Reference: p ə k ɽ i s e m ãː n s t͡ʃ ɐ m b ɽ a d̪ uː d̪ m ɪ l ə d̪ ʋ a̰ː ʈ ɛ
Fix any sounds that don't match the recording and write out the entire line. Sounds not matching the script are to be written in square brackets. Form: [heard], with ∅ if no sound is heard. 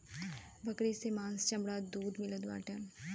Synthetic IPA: [b] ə k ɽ i s e m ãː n s t͡ʃ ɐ m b ɽ a d̪ uː d̪ m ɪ l ə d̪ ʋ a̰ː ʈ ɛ